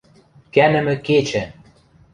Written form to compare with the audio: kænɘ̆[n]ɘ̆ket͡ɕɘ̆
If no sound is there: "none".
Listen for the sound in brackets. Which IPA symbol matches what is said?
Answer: m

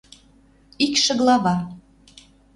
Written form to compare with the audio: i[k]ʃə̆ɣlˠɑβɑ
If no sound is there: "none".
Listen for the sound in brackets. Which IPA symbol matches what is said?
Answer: k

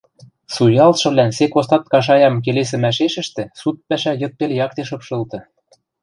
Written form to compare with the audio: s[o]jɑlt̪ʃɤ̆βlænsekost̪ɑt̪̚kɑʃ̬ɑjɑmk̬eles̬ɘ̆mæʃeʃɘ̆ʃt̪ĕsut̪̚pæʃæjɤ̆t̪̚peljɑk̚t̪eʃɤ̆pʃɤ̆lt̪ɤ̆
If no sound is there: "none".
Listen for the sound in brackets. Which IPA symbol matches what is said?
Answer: u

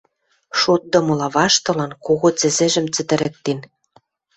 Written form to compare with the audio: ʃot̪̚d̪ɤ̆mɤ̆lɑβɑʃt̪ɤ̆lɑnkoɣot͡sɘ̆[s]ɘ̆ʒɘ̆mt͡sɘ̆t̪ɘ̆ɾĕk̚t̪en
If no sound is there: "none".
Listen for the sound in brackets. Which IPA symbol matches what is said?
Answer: z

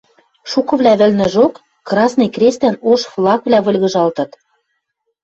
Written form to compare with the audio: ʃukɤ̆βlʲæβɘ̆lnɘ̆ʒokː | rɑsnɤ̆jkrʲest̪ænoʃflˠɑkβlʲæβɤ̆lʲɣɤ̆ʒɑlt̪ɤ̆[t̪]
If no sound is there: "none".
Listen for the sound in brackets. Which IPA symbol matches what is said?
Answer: t̪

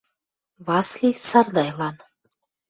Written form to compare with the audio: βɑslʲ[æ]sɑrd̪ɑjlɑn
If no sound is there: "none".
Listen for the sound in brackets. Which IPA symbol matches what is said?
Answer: i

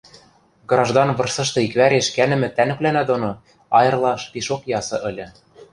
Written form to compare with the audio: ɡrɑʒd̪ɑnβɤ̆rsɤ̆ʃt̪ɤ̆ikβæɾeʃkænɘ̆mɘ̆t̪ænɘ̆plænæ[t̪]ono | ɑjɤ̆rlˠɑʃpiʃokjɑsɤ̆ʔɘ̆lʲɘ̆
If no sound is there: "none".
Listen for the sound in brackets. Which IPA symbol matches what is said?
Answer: d̪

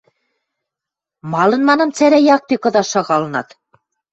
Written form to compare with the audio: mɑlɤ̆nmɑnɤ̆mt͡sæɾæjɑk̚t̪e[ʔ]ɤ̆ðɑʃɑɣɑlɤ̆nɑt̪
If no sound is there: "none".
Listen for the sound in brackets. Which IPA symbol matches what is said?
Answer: k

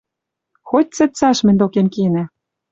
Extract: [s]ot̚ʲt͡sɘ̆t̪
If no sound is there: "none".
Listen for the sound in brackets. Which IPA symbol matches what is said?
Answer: x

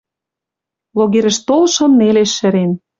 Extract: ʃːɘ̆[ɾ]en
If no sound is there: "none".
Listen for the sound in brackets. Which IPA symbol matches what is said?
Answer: ɾ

